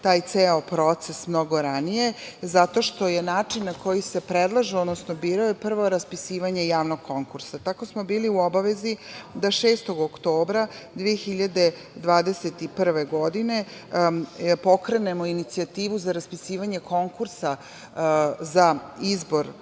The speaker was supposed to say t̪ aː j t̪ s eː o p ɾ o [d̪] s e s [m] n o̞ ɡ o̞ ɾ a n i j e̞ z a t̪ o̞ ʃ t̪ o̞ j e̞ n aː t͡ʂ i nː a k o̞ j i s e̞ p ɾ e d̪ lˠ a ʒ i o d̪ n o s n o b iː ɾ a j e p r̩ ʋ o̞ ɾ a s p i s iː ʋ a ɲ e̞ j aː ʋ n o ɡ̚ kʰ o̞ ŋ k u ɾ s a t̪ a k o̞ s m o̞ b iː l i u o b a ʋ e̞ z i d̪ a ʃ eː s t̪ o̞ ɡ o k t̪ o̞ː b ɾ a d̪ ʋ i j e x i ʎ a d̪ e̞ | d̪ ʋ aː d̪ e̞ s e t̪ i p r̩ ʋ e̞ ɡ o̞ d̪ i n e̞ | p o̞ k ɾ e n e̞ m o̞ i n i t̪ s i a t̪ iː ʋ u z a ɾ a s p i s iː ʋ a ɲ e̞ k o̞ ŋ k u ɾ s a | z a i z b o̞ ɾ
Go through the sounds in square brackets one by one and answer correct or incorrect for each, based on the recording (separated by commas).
incorrect, correct